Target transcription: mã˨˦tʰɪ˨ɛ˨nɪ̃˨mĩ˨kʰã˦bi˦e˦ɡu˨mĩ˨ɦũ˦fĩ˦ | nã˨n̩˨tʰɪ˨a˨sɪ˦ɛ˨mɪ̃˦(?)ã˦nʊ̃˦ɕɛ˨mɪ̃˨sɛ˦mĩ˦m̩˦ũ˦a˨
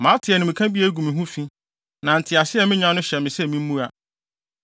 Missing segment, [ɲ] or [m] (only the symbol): ɲ